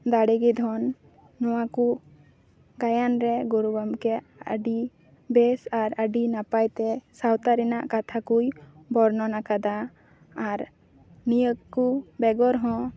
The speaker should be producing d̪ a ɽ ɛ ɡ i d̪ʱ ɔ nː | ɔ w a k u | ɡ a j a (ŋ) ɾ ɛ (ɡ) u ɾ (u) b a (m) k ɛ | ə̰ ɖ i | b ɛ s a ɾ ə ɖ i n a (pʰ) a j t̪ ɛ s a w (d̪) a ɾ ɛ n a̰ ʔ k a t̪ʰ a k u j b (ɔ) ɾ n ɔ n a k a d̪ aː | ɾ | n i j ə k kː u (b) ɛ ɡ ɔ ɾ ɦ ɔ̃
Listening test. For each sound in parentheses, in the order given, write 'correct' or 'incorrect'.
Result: incorrect: n, correct, correct, correct, incorrect: p, incorrect: t̪, correct, correct

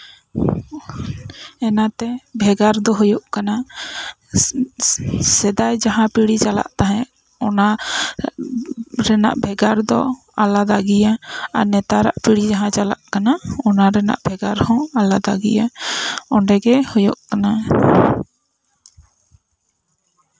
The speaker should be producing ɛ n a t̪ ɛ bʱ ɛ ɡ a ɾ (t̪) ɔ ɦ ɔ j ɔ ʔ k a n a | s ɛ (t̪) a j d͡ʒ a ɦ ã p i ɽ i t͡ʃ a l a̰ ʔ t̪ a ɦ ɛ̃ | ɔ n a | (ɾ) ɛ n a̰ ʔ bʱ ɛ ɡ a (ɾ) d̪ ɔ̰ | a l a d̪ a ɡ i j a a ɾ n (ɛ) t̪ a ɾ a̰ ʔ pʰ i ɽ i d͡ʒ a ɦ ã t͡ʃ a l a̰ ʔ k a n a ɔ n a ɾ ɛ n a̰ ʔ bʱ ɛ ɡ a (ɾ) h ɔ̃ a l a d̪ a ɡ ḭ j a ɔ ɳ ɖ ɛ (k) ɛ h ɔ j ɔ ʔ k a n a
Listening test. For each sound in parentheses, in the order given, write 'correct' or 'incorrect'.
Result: incorrect: d̪, incorrect: d̪, correct, correct, correct, correct, incorrect: ɡ

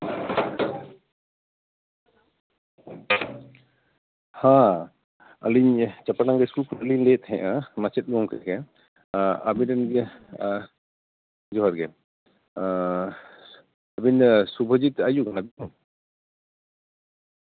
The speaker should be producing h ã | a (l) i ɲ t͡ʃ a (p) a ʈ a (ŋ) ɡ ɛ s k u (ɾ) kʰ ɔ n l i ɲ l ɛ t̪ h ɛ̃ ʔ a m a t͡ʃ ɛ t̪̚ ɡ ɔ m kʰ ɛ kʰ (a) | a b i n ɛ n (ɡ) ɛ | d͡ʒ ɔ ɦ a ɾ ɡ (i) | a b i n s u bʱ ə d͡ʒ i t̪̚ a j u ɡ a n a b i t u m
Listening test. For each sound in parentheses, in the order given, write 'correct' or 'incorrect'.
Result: correct, correct, correct, incorrect: l, incorrect: ɛ, correct, incorrect: ɛ

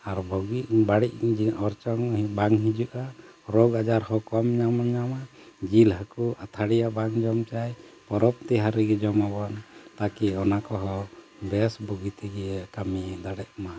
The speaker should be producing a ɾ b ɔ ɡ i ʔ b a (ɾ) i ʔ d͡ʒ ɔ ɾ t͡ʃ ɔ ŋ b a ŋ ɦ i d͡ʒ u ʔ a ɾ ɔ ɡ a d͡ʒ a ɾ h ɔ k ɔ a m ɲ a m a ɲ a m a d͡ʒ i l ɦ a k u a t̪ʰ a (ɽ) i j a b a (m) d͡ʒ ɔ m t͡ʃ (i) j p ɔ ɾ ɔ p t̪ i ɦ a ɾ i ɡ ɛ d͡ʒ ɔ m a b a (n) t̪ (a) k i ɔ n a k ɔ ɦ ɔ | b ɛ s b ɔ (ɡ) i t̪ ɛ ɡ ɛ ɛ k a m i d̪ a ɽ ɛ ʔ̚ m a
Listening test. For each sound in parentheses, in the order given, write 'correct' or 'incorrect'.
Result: incorrect: ɽ, correct, incorrect: ŋ, incorrect: a, correct, correct, correct

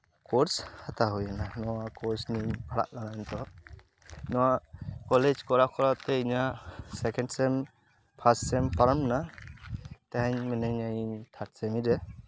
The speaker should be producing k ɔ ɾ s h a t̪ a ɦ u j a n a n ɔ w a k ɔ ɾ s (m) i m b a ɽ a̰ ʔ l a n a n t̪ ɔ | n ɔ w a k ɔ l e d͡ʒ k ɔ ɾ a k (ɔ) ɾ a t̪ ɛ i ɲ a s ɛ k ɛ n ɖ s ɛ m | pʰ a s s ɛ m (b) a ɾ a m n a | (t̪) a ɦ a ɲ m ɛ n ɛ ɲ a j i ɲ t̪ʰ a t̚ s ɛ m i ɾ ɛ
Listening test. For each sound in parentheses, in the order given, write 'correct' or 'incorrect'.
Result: incorrect: n, correct, incorrect: p, correct

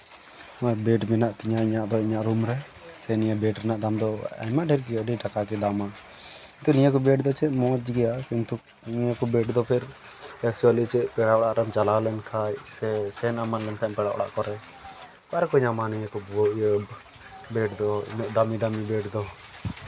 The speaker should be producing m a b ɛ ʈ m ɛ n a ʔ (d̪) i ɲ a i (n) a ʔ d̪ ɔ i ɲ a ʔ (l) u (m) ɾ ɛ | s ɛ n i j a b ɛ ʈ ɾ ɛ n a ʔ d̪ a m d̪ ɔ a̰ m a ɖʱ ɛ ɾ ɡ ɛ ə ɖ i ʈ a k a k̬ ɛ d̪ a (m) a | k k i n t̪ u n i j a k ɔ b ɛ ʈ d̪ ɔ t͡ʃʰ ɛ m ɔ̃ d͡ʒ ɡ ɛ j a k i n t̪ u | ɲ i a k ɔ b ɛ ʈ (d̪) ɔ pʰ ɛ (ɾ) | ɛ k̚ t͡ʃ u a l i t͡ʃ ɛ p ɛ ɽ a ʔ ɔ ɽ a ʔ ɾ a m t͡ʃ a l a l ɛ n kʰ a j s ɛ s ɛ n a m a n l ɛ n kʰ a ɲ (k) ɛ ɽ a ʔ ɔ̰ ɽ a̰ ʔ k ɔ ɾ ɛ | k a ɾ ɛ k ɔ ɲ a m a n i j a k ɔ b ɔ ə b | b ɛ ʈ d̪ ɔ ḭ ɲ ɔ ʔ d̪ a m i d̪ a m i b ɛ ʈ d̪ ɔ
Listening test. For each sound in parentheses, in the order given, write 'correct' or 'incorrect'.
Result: incorrect: t̪, incorrect: ɲ, incorrect: ɾ, correct, correct, correct, correct, incorrect: p

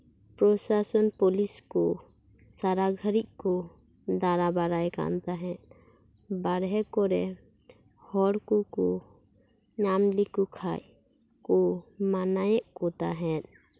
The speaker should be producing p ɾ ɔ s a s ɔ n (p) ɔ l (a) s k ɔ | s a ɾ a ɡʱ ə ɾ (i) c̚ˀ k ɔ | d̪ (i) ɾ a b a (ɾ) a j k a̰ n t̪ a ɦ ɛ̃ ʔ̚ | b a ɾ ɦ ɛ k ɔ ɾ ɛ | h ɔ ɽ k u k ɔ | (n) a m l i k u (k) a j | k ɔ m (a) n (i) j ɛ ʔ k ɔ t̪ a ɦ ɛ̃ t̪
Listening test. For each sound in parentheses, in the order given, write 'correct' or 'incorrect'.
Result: correct, incorrect: i, correct, incorrect: a, correct, incorrect: ɲ, incorrect: kʰ, correct, incorrect: a

